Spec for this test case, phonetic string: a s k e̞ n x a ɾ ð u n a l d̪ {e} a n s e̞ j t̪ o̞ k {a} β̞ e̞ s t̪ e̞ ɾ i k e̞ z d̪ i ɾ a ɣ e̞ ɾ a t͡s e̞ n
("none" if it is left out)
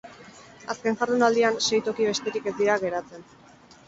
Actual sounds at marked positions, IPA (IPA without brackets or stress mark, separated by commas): i, i